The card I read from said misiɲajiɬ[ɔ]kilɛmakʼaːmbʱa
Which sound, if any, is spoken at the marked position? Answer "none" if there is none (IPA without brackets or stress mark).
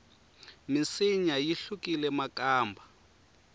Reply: u